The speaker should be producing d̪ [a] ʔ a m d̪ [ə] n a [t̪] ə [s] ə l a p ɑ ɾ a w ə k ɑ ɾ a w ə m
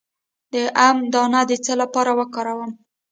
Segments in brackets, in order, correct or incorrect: incorrect, incorrect, incorrect, incorrect

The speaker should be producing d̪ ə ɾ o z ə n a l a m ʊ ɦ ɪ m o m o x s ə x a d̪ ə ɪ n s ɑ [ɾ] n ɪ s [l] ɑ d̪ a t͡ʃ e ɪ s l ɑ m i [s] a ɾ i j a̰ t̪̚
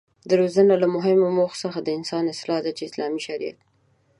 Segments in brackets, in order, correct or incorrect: incorrect, correct, incorrect

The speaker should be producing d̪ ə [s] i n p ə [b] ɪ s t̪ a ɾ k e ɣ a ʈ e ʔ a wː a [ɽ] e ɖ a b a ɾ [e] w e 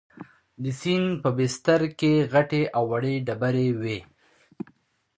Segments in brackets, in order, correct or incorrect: correct, correct, correct, correct

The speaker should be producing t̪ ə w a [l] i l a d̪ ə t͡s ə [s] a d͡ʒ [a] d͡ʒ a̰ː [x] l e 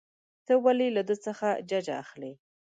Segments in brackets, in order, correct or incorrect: correct, incorrect, correct, correct

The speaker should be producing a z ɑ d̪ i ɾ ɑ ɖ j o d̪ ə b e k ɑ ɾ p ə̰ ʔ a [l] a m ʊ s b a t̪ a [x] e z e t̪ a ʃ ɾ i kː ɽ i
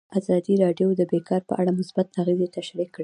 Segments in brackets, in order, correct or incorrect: incorrect, incorrect

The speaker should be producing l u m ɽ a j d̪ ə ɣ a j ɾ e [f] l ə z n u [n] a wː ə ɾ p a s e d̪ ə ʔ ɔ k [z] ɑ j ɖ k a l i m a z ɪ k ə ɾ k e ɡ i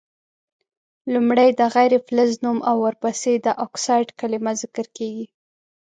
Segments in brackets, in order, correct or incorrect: correct, incorrect, incorrect

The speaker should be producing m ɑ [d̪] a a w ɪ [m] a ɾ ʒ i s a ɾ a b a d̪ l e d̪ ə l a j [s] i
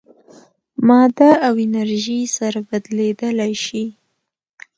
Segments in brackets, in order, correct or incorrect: correct, incorrect, incorrect

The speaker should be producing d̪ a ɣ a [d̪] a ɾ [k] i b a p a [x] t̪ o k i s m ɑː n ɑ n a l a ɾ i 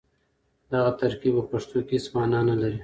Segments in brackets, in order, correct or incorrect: incorrect, correct, incorrect

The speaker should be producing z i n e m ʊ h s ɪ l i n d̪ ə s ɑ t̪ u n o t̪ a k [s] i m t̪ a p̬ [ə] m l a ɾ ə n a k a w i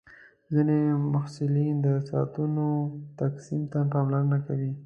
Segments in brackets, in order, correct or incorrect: correct, incorrect

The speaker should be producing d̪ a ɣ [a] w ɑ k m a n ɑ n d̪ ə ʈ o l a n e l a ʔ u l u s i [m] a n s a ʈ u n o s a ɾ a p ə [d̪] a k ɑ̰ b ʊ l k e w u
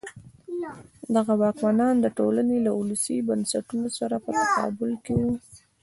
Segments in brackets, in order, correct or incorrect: correct, incorrect, incorrect

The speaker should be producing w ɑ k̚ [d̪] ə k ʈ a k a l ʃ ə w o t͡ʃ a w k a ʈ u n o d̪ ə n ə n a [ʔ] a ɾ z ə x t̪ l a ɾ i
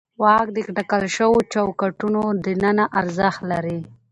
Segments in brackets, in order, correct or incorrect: correct, correct

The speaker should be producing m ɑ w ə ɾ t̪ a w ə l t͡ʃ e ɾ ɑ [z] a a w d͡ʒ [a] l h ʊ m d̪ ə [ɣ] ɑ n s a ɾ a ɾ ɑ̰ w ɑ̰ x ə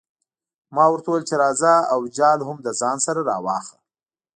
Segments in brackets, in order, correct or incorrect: correct, incorrect, incorrect

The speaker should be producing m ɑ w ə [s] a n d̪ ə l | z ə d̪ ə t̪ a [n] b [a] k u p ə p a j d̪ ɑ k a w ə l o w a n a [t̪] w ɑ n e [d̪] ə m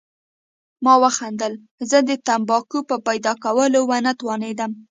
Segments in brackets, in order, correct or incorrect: incorrect, incorrect, incorrect, correct, correct

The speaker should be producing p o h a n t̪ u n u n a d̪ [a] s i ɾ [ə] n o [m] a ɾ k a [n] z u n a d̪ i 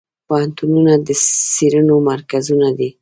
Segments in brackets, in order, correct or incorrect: incorrect, correct, correct, incorrect

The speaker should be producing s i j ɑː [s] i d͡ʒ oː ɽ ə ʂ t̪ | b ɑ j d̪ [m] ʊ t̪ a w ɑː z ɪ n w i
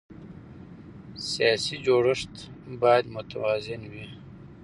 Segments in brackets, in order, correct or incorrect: correct, correct

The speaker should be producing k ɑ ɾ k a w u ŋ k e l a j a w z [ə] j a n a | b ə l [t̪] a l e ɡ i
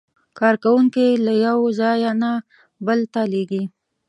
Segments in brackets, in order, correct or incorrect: incorrect, correct

